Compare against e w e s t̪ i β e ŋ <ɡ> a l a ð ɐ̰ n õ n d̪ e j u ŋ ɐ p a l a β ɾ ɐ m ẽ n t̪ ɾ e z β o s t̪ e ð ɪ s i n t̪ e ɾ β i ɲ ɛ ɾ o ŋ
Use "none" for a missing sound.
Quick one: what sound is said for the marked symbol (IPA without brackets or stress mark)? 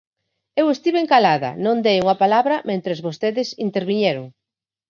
k